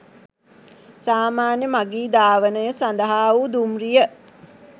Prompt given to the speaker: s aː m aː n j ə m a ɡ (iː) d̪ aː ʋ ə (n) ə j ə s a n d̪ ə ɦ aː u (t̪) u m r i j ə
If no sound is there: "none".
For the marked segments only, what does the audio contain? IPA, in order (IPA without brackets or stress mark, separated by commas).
iː, n, d̪